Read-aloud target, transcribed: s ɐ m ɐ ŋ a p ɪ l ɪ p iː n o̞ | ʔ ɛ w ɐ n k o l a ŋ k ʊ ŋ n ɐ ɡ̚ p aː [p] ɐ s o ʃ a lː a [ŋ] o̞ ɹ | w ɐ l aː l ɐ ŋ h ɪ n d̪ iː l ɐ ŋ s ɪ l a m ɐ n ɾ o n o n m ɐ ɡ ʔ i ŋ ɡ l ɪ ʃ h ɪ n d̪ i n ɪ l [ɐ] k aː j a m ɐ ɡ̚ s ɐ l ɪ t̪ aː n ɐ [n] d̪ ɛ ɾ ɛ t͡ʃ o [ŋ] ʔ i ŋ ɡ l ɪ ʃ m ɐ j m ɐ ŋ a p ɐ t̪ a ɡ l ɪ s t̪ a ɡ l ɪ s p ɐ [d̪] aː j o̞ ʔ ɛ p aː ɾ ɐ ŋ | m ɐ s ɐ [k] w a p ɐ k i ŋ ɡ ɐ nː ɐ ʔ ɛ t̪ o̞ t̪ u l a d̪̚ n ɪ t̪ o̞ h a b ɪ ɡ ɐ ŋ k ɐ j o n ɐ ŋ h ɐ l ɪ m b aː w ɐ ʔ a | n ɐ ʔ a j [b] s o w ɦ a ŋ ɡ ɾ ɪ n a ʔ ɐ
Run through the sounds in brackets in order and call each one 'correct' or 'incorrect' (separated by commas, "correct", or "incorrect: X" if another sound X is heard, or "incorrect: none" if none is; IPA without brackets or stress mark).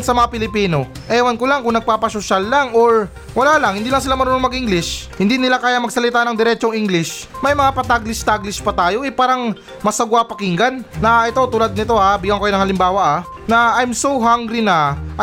correct, correct, incorrect: a, incorrect: ŋ, correct, incorrect: t̪, incorrect: ɡ, incorrect: m